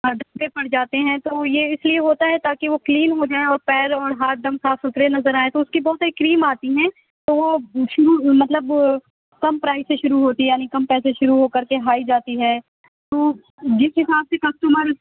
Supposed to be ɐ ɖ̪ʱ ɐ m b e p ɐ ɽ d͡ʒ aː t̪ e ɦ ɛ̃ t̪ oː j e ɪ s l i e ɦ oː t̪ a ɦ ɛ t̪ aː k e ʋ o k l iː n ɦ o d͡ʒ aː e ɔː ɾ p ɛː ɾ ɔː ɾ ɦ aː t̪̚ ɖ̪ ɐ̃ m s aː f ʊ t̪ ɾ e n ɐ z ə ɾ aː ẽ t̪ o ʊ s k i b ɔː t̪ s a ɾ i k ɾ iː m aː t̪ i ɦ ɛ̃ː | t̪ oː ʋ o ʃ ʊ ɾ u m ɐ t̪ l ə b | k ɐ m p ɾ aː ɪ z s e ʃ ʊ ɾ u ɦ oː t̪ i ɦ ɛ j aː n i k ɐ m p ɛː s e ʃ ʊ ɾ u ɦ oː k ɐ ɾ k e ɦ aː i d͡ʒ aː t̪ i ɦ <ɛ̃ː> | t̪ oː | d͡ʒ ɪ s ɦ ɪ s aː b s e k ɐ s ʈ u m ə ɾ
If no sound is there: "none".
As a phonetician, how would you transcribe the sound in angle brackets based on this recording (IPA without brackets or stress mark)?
ɛː